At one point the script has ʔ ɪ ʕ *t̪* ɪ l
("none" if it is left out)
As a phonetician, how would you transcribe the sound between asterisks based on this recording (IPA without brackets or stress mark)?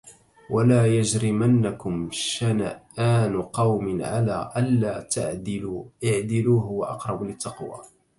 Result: d̪